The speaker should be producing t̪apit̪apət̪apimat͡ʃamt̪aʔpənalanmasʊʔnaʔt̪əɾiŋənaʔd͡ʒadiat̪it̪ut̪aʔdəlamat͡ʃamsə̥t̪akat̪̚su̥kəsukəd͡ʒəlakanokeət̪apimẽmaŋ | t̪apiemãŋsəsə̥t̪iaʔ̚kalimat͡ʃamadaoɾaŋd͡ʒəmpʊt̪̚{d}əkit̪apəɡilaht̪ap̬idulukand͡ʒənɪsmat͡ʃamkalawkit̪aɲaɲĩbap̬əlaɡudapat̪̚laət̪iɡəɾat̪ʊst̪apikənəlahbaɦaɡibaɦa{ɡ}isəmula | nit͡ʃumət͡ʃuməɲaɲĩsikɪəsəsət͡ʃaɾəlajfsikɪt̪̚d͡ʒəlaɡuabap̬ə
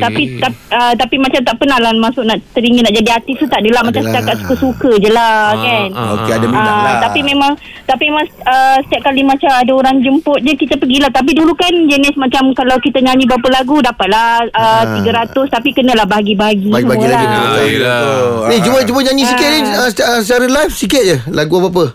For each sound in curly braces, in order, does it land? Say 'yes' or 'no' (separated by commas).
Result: no, yes